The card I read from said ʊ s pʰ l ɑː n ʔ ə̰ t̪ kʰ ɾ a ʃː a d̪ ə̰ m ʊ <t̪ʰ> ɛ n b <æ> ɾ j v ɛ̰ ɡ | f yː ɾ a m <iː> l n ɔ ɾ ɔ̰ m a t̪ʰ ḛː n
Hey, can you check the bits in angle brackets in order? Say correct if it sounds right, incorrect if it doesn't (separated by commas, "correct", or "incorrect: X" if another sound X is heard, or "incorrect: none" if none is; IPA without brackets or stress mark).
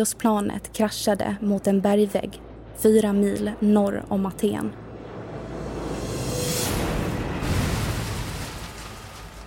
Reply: incorrect: t̪, correct, correct